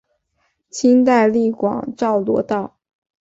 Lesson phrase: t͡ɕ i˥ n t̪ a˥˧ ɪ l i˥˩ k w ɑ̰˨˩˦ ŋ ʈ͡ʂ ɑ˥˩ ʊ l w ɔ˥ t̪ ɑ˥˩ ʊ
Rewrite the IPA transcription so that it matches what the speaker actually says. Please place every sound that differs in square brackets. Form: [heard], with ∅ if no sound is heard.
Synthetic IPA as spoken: [t͡ɕʰ] i˥ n t̪ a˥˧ ɪ l i˥˩ k w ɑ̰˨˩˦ ŋ ʈ͡ʂ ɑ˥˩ ʊ l w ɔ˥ t̪ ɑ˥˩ ʊ